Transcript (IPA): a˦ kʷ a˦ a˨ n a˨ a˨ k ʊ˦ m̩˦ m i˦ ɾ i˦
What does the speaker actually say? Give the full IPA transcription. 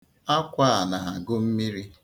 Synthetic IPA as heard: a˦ kʷ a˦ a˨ n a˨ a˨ ɡ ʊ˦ m̩˦ m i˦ ɾ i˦